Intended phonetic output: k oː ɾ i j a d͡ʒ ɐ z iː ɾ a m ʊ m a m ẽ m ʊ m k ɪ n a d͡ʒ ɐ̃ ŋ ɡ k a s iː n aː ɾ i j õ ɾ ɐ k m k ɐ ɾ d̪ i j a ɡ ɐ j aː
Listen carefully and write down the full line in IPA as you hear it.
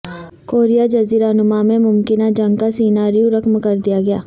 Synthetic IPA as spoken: k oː ɾ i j a d͡ʒ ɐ z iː ɾ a n ʊ m a m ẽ m ʊ m k ɪ n a d͡ʒ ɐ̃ ŋ ɡ k a s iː n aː ɾ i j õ ɾ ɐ k m k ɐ ɾ d̪ i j a ɡ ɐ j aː